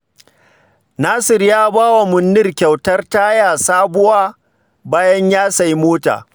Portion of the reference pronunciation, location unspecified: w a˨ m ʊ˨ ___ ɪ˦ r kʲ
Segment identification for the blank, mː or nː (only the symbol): nː